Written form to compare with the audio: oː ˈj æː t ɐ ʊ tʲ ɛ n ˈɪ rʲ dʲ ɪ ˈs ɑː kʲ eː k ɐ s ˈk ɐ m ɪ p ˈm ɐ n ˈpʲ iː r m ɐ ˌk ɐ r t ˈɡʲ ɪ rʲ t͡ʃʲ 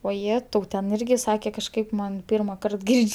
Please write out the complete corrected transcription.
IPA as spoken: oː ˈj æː t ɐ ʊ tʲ ɛ n ˈɪ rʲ ɡʲ ɪ ˈs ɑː kʲ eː k ɐ ʃ ˈk ɐ ɪ p ˈm ɐ n ˈpʲ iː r m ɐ ˌk ɐ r t ˈɡʲ ɪ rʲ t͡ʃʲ